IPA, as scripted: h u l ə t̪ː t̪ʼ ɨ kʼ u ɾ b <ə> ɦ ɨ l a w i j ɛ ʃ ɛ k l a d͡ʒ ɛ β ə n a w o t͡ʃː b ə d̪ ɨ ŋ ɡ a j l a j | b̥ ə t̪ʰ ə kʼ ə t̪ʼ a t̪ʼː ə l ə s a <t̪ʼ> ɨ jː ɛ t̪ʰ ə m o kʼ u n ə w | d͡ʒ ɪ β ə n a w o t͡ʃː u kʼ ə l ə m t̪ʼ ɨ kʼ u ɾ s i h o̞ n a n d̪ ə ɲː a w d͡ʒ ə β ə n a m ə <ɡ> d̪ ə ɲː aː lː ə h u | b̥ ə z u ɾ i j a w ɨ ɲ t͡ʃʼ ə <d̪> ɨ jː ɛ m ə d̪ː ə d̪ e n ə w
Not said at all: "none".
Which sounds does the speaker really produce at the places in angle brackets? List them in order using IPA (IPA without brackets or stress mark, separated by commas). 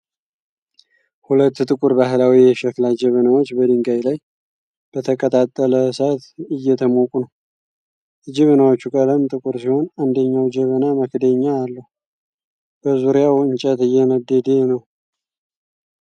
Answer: a, t̪, k, t̪